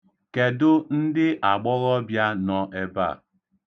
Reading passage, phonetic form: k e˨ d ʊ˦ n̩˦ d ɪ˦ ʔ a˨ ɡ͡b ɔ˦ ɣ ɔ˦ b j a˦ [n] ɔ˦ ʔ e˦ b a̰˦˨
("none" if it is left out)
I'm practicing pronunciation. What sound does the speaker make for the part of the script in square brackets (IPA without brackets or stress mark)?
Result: n